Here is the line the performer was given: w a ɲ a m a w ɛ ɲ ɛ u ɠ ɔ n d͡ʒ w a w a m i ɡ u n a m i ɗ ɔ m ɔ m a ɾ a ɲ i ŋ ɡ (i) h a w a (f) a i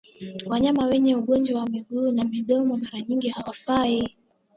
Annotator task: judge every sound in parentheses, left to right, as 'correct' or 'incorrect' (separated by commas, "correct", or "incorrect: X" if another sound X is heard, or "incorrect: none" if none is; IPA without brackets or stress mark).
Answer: correct, correct